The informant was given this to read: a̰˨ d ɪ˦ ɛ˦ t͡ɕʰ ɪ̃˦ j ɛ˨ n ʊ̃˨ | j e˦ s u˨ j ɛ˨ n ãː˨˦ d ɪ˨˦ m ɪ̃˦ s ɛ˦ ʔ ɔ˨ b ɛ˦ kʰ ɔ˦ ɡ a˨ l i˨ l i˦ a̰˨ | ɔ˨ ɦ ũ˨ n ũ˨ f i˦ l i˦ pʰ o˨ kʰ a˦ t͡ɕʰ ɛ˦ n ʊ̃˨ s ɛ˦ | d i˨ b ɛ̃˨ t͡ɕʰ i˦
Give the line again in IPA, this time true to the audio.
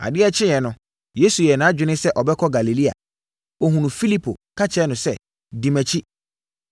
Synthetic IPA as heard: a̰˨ d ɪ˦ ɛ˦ t͡ɕʰ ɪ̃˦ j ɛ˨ n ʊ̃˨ | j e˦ s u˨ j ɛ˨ n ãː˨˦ d͡ʑᶣ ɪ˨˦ n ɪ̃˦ s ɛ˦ ʔ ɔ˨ b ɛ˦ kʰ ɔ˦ ɡ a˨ l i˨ l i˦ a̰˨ | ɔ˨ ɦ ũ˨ n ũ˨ f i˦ l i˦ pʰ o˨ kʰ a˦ t͡ɕʰ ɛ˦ n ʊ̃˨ s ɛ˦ | d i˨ m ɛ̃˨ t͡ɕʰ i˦